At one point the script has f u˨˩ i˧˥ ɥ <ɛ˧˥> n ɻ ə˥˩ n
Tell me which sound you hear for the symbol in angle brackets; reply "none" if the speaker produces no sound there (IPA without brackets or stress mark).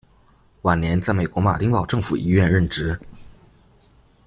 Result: ɛ˥˧